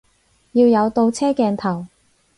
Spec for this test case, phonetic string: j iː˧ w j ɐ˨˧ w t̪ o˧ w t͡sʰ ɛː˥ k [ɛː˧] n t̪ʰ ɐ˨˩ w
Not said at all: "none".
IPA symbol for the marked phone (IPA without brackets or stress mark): ɛː˧